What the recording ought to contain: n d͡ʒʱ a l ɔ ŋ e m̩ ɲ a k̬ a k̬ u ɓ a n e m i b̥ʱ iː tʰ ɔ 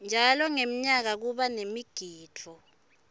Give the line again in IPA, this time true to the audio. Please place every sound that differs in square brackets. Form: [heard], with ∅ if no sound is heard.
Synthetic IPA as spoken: n d͡ʒʱ a l ɔ ŋ e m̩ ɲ a k̬ a k̬ u ɓ a n e m i [ɡ̥ʱ] iː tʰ ɔ